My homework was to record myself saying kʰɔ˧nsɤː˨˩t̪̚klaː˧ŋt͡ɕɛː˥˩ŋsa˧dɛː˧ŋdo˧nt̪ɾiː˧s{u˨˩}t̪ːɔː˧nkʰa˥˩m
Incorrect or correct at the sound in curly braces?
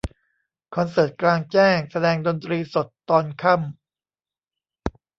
incorrect: o˨˩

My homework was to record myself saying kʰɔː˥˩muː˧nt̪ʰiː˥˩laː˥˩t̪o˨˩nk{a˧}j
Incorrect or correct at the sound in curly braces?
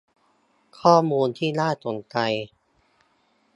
correct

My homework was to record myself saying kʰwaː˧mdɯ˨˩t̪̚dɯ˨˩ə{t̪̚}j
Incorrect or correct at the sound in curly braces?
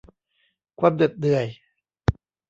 incorrect: none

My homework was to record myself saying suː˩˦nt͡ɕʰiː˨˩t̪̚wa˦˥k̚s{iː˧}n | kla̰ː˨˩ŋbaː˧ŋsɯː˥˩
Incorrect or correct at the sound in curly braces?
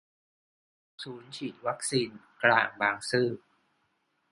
correct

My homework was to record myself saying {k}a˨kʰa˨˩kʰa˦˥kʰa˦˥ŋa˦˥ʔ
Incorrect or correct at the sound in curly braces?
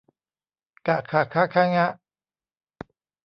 correct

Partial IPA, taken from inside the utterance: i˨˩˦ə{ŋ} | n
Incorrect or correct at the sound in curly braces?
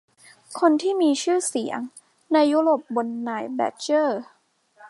correct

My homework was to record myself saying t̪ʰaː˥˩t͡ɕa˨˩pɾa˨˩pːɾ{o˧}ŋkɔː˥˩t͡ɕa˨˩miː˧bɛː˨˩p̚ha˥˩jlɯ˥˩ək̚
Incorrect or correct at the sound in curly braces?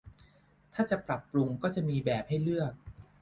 incorrect: u˧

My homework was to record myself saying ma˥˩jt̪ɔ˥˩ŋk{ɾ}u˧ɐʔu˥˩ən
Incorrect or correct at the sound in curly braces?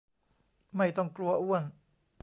incorrect: l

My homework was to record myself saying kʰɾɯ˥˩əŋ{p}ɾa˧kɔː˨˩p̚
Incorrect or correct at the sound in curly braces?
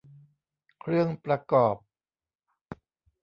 correct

